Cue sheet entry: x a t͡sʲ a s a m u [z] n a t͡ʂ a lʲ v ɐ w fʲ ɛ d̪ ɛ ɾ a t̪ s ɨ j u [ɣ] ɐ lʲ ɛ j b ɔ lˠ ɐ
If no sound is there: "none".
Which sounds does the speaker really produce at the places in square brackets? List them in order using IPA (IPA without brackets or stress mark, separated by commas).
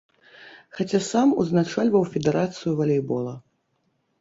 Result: z, v